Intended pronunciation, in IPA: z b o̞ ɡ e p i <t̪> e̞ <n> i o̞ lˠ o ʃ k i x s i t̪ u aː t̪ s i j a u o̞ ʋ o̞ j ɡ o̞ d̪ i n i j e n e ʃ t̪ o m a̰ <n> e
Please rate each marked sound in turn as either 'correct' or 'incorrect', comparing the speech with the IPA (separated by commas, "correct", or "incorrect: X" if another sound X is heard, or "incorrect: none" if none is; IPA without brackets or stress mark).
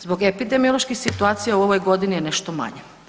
incorrect: d̪, incorrect: m, incorrect: ɲ